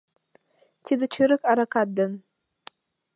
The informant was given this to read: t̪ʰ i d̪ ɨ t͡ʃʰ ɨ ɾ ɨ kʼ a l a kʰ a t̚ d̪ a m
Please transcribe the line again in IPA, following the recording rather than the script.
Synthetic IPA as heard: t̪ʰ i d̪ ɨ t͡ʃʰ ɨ ɾ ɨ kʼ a ɾ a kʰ a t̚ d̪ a n